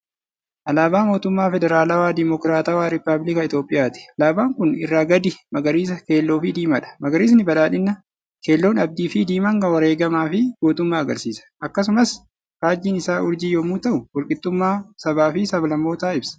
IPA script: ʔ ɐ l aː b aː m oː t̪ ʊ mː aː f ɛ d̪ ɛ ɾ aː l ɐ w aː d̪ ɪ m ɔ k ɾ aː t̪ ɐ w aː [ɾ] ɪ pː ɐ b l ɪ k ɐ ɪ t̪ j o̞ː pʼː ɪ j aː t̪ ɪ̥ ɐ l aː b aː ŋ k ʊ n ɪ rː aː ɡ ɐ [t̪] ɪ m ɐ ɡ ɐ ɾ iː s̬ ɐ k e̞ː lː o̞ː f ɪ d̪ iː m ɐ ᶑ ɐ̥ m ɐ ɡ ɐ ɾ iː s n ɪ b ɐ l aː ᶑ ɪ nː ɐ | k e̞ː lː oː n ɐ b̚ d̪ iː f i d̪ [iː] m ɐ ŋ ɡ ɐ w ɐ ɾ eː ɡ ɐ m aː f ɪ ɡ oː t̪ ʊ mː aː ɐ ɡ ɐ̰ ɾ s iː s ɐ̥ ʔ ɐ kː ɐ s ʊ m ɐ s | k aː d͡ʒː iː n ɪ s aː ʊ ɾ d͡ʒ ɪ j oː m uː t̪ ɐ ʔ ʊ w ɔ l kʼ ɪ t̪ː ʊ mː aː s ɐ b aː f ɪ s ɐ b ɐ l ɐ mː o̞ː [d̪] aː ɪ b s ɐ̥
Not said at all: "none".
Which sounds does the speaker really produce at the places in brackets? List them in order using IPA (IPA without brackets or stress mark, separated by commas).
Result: ɾ, d̪, iː, t̪